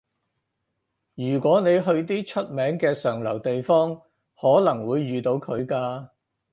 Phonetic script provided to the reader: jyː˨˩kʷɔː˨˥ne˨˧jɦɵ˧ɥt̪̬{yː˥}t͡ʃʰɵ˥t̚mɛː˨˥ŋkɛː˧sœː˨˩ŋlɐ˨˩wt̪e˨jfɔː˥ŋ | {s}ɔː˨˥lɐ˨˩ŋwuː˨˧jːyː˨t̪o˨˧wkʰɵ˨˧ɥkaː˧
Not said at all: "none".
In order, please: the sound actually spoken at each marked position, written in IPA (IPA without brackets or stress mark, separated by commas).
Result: iː˥, h